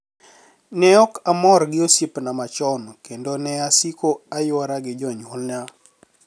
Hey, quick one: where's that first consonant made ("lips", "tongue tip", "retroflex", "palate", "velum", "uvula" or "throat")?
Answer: tongue tip